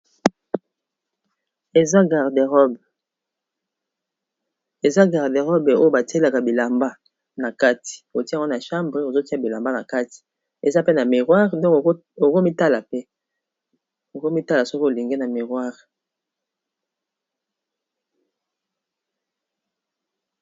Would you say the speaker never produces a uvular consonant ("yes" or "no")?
no